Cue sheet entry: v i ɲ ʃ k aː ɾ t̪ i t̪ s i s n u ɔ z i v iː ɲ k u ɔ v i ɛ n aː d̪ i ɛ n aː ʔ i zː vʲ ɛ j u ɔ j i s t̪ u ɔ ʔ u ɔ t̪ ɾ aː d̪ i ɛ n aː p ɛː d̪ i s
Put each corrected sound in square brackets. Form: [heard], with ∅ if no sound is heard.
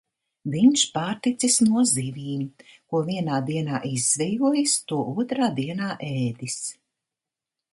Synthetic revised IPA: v i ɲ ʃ [p] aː ɾ t̪ i t̪ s i s n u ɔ z i v iː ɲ k u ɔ v i ɛ n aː d̪ i ɛ n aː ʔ i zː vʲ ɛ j u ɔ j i s t̪ u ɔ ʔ u ɔ t̪ ɾ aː d̪ i ɛ n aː [ʔ] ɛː d̪ i s